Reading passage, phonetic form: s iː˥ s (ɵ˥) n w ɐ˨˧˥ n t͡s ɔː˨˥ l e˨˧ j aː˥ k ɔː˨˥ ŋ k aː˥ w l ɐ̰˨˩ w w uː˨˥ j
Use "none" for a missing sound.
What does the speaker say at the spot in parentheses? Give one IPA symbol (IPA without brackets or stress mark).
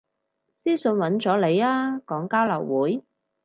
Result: ɵ˧